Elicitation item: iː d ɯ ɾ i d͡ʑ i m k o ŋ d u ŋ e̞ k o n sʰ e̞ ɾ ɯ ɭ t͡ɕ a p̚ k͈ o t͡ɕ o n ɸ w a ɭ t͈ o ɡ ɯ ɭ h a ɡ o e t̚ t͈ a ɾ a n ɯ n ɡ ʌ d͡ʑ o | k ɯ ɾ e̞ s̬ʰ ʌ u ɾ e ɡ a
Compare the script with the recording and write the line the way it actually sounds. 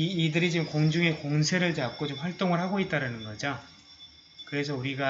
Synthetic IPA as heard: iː d ɯ ɾ i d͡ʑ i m k o ŋ d͡ʑ u ŋ e̞ k o ŋ sʰ e̞ ɾ ɯ ɭ t͡ɕ a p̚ k͈ o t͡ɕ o m ɸ w a ɭ t͈ o ŋ ɯ ɭ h a ɡ o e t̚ t͈ a ɾ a n ɯ n ɡ ʌ d͡ʑ o | k ɯ ɾ e̞ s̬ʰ ʌ u ɾ i ɡ a